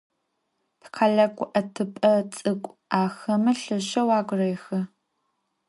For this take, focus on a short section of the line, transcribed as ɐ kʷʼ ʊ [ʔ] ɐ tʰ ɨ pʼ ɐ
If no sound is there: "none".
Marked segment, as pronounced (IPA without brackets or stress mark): ʔ